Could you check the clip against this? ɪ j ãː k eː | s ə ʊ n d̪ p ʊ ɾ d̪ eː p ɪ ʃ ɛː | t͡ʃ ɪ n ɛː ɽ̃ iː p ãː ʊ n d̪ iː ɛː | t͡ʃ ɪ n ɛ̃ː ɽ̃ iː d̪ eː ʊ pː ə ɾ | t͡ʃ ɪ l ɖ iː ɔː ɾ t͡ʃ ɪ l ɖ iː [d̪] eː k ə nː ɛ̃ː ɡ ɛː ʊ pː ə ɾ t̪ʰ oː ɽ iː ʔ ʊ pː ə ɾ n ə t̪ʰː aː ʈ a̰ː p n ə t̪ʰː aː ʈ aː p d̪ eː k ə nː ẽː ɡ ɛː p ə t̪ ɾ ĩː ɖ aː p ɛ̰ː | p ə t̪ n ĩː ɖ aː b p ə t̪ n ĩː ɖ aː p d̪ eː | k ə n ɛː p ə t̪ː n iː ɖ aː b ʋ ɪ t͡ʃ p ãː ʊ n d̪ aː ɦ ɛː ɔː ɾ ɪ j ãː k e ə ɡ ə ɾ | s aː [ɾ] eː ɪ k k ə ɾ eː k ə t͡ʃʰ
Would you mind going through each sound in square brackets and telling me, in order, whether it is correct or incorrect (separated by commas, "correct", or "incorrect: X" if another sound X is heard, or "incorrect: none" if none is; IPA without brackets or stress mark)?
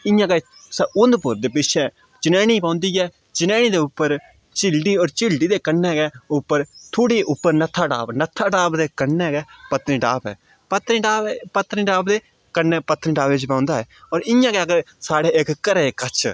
correct, incorrect: ɽ